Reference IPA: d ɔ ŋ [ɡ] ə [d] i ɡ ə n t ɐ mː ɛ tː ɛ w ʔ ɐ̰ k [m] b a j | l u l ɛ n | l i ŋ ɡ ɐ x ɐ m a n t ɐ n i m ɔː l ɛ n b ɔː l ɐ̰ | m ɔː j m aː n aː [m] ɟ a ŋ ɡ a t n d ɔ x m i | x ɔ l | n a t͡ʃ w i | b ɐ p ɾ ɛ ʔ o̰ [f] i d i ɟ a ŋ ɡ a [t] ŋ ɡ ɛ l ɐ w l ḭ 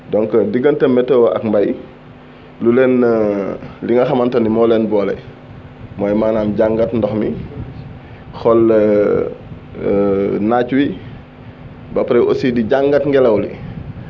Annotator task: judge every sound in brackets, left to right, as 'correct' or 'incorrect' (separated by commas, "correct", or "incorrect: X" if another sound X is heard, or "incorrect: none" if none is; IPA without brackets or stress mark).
incorrect: k, correct, correct, correct, incorrect: s, correct